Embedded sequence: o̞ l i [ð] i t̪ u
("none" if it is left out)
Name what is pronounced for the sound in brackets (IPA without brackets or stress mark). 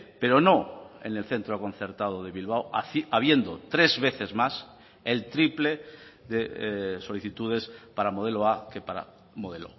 θ